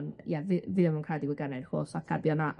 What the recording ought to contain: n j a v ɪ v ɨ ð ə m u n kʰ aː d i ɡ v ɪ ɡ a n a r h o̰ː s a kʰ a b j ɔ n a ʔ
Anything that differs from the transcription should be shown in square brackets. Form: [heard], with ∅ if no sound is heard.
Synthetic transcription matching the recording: n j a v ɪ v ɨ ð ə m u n kʰ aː d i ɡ [w] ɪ ɡ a n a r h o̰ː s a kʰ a b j ɔ n a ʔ